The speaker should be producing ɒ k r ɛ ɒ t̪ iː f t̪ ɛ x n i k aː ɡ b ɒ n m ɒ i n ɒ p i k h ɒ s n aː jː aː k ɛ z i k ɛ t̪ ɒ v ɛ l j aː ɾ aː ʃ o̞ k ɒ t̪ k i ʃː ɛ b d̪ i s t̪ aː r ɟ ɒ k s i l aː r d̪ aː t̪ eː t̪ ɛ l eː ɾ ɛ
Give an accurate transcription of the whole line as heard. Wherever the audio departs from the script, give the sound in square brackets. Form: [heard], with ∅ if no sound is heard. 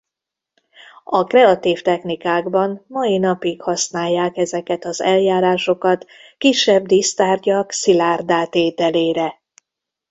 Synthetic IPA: ɒ k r ɛ ɒ t̪ iː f t̪ ɛ x n i k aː ɡ b ɒ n m ɒ i n ɒ p i k h ɒ s n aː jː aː k ɛ z [ɛ] k ɛ t̪ ɒ [z] ɛ l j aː ɾ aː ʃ o̞ k ɒ t̪ k i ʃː ɛ b d̪ i s t̪ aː r ɟ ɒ k s i l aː r d̪ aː t̪ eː t̪ ɛ l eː ɾ ɛ